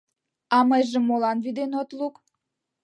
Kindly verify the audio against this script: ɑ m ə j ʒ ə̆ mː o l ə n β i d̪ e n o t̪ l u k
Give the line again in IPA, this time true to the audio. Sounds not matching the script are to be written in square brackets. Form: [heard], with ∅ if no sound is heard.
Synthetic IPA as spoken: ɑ m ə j ʒ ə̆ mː o l [ɑ] n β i d̪ e n o t̪ l u k